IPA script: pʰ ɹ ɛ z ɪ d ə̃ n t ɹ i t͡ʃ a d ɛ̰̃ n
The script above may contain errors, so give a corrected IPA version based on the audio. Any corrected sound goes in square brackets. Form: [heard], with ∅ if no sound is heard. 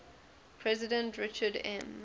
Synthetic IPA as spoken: pʰ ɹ ɛ z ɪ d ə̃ n t ɹ [ɪ] t͡ʃ [ə] d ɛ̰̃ [m]